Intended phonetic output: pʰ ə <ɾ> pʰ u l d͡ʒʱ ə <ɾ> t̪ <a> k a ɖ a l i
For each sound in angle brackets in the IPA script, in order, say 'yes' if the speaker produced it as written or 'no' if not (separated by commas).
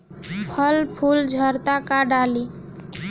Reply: no, yes, yes